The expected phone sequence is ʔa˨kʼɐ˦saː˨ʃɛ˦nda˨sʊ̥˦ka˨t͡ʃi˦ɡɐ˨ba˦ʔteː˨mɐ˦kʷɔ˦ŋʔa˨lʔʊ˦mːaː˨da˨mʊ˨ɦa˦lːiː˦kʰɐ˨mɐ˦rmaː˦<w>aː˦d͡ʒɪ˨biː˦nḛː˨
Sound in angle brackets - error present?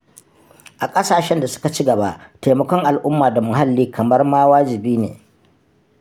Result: no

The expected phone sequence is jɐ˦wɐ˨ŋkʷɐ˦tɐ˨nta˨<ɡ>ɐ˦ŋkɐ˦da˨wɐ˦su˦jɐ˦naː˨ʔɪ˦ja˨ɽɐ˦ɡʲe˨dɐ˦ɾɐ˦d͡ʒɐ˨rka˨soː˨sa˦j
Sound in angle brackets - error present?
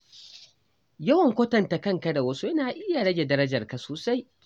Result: yes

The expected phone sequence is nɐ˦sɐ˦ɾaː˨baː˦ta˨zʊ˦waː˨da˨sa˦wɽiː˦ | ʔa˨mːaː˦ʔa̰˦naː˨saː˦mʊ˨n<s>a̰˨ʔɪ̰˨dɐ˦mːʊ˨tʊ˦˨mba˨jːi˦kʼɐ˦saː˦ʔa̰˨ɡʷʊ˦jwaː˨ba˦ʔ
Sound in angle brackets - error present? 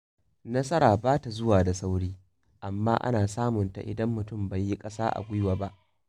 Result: yes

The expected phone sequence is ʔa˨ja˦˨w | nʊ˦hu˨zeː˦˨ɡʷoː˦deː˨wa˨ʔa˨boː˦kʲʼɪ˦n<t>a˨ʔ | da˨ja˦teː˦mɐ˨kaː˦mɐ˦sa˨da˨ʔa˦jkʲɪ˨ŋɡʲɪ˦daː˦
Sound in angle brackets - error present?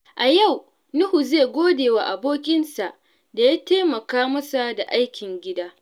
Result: yes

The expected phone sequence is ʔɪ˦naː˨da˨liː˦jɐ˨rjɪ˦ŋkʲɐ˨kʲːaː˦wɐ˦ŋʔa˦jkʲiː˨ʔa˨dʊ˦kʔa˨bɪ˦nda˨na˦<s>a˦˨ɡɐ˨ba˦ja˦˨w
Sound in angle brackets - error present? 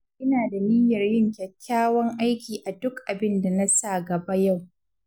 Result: no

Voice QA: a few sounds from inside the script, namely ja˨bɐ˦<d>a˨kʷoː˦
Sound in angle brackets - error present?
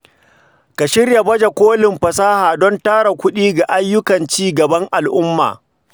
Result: yes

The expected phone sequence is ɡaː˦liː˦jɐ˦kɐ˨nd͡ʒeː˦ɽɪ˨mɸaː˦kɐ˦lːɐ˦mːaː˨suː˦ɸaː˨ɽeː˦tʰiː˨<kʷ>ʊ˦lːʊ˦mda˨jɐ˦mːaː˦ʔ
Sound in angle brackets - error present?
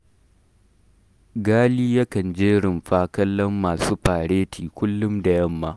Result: no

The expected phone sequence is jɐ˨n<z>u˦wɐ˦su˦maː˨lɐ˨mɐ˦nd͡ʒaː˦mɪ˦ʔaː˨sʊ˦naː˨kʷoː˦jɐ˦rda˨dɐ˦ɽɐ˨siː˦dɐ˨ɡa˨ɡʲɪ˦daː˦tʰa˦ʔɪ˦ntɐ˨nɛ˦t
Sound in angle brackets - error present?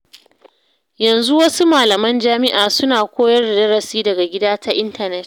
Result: no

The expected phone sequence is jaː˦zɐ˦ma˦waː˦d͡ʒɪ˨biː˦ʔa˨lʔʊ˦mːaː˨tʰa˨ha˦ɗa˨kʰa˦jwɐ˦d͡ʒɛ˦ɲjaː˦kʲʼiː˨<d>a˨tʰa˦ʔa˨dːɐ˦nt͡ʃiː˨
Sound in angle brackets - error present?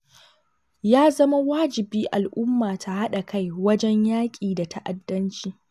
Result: no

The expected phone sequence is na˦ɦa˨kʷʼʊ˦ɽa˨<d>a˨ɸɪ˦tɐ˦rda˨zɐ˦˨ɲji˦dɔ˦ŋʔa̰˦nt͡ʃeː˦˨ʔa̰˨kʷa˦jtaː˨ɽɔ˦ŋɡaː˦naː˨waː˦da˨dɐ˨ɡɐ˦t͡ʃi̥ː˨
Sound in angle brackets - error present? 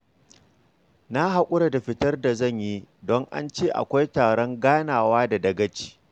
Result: no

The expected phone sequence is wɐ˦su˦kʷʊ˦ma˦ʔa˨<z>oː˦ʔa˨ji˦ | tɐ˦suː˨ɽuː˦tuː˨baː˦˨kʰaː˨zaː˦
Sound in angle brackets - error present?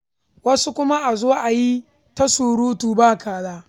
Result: no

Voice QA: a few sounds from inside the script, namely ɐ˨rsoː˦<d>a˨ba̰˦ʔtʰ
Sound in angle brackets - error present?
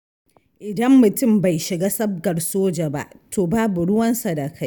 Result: yes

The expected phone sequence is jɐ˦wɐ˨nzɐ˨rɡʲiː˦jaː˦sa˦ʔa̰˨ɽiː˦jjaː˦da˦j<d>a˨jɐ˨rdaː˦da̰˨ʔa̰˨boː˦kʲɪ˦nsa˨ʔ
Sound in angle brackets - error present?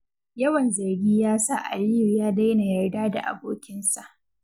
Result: yes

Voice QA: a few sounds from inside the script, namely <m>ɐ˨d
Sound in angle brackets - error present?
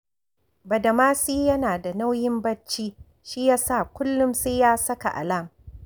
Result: yes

